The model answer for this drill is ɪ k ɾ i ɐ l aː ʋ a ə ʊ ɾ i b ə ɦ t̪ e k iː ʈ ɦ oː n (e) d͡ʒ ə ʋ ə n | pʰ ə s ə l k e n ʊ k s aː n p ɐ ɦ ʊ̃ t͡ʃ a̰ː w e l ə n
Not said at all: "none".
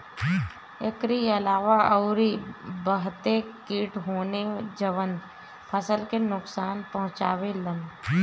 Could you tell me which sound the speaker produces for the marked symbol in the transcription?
e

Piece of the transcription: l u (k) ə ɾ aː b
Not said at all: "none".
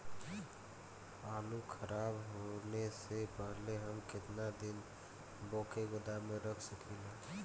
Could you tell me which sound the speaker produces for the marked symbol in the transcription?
kʰ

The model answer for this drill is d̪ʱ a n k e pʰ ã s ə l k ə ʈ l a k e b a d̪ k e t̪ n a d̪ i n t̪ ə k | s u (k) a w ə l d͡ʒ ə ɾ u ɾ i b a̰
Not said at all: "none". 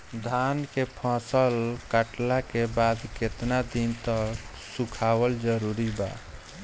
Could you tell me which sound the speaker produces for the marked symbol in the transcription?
kʰ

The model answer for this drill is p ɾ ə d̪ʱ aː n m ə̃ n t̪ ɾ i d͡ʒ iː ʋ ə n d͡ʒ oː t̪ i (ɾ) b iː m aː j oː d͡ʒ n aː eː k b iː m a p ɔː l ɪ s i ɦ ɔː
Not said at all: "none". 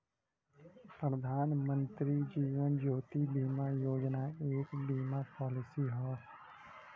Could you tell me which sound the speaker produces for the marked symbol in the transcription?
none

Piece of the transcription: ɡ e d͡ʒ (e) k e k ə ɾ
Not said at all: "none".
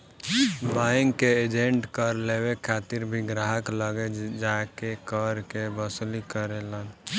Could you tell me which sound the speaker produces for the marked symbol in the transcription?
a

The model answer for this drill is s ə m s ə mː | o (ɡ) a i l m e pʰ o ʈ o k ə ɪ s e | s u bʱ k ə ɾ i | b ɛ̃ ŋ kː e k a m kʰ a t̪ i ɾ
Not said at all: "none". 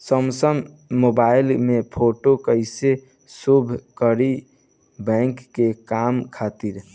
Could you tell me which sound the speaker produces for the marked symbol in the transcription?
b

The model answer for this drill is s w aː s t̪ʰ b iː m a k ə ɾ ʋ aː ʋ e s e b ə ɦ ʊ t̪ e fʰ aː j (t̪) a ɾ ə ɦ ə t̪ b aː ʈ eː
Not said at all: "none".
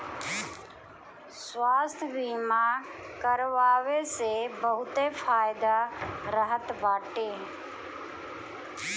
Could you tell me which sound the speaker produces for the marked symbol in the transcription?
d̪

